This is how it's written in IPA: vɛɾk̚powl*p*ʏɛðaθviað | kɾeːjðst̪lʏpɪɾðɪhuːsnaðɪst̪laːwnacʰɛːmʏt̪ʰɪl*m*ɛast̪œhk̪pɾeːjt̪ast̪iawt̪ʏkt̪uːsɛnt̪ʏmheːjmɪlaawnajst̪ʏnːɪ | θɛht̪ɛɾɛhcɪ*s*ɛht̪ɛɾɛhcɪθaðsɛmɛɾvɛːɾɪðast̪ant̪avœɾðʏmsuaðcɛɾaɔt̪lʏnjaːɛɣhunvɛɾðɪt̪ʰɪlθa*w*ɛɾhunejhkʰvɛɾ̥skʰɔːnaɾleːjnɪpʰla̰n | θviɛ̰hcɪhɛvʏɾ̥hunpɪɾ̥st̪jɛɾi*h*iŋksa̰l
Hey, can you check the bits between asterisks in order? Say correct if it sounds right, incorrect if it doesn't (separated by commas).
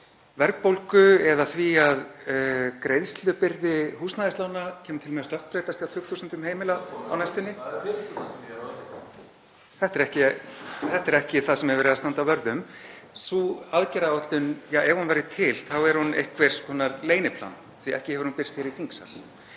incorrect, correct, incorrect, correct, incorrect